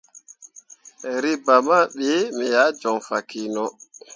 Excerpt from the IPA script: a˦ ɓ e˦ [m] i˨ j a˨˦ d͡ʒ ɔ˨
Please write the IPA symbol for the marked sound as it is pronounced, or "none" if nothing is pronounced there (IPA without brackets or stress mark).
m